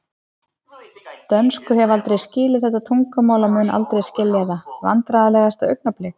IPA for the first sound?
t̪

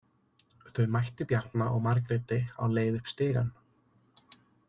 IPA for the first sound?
θ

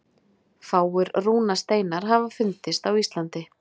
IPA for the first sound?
f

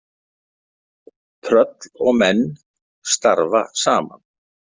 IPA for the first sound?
t̪ʰ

